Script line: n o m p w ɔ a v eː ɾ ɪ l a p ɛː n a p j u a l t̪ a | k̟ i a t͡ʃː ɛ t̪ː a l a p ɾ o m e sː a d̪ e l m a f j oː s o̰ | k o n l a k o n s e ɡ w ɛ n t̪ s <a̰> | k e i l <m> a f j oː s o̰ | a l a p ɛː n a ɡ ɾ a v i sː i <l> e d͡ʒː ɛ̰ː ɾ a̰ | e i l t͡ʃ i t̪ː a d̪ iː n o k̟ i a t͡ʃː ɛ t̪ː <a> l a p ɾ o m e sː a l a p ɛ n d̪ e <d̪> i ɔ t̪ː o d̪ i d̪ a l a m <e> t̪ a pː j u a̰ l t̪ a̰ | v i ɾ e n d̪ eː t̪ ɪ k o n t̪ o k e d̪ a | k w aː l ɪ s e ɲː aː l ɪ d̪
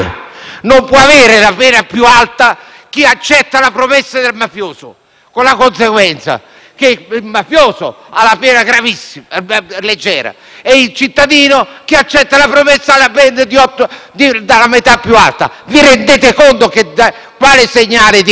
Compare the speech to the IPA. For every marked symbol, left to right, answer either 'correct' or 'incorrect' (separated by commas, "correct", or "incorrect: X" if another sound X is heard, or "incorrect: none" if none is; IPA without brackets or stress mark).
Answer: correct, correct, correct, correct, correct, correct